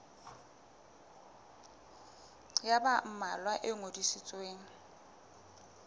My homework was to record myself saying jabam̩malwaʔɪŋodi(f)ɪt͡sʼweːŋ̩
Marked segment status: incorrect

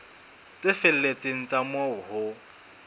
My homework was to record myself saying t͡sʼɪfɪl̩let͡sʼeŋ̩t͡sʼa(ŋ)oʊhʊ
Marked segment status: incorrect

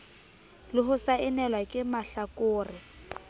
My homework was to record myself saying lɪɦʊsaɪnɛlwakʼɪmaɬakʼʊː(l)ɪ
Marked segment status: incorrect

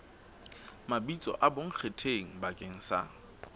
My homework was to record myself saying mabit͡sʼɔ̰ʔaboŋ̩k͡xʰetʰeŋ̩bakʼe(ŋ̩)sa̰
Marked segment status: correct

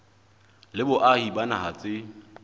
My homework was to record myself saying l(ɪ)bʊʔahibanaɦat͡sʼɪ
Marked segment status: correct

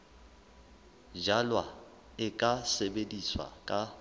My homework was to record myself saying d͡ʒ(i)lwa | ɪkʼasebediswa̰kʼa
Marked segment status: incorrect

